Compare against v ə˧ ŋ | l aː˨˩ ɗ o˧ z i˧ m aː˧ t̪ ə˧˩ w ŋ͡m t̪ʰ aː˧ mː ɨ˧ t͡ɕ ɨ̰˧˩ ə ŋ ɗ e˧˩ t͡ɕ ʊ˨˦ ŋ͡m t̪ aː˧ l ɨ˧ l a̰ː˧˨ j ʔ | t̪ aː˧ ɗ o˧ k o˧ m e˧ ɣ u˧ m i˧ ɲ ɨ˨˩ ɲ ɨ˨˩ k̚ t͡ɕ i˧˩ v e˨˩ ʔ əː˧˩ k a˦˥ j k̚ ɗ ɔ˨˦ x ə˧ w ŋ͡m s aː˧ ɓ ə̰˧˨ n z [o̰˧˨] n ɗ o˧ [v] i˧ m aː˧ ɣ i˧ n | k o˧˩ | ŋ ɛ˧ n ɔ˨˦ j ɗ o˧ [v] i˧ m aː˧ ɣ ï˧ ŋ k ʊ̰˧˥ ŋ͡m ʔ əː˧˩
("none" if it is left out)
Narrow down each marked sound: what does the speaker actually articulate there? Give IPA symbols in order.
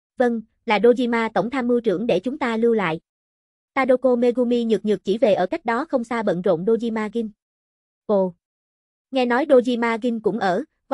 o̰˧˨, z, z

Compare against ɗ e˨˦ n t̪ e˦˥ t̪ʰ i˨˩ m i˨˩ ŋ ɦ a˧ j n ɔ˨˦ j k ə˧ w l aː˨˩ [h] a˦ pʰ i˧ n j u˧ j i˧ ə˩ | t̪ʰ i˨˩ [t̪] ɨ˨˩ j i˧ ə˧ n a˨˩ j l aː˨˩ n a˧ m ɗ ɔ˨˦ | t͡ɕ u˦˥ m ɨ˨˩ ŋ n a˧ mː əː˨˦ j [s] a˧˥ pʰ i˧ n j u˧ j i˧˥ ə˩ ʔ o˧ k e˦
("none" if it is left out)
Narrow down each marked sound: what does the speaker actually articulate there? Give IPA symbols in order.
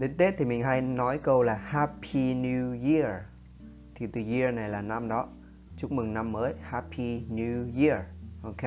h, t̪, h

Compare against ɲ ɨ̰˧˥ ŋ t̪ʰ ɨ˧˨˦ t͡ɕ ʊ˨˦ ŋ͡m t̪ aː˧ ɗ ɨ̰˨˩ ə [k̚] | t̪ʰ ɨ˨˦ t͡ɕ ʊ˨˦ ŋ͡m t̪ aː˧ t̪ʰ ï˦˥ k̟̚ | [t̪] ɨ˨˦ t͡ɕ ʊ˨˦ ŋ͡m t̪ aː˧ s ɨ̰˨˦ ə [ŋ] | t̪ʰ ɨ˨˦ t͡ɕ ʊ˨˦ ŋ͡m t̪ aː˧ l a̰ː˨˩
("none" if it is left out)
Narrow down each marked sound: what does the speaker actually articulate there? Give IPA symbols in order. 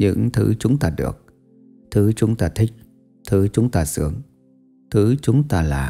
k̚, t̪ʰ, ŋ

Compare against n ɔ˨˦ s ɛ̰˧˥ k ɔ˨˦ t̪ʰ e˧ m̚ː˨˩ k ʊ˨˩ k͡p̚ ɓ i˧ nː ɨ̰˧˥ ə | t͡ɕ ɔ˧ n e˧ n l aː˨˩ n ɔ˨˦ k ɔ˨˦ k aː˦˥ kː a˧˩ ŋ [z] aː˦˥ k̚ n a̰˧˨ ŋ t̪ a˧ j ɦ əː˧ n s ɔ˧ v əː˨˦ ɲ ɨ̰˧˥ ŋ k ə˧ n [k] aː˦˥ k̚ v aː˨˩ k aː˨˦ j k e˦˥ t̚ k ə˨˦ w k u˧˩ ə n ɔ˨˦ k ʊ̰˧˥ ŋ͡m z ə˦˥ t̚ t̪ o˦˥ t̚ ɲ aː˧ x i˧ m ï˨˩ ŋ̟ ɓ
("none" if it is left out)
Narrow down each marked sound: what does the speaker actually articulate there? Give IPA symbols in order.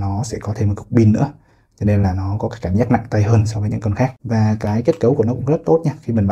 z, x

